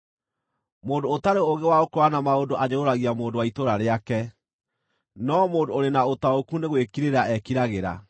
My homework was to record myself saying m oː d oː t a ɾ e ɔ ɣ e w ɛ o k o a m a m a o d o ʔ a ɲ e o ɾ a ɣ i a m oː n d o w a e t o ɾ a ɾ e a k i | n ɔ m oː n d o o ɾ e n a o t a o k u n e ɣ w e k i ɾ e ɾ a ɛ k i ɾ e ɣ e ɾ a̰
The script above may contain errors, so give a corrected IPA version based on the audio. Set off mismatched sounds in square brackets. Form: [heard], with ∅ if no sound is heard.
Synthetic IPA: m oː d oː t a ɾ e [o] ɣ e w [a] o k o a [n] a m a o d o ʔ a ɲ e o ɾ a ɣ i a m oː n d o w a [i] t o ɾ a ɾ e a k [ɛ] | n ɔ m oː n d o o ɾ e n a o t a o k u n e ɣ w e k i ɾ e ɾ a ɛ k i ɾ [a] ɣ e ɾ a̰